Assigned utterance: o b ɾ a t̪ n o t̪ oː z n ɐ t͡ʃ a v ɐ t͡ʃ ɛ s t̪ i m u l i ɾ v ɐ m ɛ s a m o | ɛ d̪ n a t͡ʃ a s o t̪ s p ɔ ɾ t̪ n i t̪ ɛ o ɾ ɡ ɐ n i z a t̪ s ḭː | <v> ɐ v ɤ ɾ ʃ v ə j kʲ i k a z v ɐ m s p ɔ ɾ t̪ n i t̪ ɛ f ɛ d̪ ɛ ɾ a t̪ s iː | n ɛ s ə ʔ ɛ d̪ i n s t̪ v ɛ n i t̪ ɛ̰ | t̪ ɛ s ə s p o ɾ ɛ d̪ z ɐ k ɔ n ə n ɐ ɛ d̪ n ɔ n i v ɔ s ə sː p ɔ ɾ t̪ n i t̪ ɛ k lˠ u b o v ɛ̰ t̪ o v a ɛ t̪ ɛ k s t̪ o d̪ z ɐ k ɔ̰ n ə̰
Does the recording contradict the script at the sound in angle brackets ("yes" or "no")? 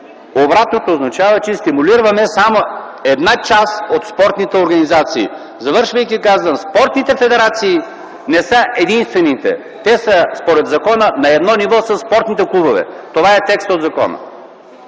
yes